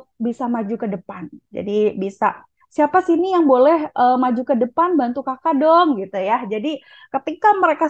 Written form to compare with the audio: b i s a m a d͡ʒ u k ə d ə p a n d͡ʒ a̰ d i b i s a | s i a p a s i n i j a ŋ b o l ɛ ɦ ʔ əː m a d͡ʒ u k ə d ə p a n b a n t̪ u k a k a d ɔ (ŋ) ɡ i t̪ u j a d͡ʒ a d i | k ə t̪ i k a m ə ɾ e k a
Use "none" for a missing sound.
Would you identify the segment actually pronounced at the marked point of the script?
ŋ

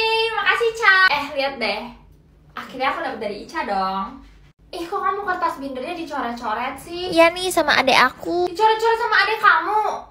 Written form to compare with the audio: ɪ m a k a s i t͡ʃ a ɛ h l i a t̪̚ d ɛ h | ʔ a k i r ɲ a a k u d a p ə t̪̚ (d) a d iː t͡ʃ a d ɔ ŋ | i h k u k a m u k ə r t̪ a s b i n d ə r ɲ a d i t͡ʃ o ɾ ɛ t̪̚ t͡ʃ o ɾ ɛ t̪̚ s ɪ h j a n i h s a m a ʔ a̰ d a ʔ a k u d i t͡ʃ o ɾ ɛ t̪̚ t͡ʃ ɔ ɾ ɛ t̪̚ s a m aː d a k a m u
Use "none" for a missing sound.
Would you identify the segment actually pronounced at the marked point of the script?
d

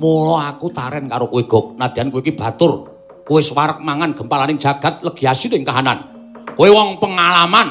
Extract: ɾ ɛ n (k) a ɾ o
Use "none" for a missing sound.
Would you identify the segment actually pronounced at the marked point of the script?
k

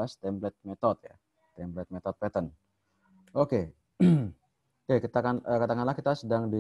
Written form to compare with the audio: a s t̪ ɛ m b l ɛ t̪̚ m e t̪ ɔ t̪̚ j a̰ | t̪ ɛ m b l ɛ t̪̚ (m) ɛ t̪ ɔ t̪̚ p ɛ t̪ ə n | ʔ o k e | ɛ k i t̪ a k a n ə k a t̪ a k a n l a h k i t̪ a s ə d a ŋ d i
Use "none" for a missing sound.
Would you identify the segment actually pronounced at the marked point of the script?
m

